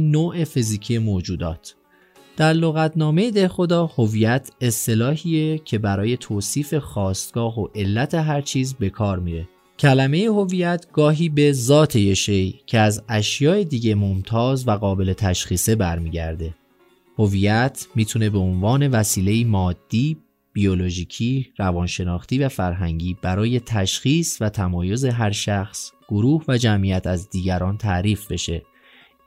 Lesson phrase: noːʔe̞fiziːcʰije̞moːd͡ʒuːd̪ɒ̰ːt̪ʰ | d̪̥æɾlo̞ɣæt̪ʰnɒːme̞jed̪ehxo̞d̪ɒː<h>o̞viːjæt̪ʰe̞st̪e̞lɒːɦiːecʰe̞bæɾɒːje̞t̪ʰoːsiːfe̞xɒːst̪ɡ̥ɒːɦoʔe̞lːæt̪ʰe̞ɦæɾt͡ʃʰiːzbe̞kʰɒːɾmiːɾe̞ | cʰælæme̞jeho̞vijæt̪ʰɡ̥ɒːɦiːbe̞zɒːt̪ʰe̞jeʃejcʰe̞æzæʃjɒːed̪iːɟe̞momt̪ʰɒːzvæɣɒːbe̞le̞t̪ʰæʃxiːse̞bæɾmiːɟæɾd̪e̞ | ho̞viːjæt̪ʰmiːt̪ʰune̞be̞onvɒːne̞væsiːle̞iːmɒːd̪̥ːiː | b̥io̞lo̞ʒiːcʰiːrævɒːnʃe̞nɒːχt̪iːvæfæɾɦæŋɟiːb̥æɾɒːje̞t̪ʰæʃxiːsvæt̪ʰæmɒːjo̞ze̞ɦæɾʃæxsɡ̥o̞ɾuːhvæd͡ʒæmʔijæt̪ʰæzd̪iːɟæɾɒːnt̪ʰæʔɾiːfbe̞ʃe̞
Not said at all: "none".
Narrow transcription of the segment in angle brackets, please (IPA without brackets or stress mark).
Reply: h